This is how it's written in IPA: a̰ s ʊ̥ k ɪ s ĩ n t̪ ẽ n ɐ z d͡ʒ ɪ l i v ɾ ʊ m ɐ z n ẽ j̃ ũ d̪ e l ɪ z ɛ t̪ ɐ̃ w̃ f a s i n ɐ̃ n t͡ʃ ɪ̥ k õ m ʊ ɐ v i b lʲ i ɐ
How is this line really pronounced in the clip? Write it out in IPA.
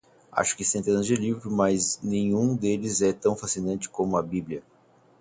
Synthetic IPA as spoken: a̰ ʃ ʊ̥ k ɪ s ẽ n t̪ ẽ n ɐ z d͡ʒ ɪ l i v ɾ ʊ m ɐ z n ẽ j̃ ũ d̪ e l ɪ z ɛ t̪ ɐ̃ w̃ f a s i n ɐ̃ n t͡ʃ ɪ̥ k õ m ʊ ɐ b i b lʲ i ɐ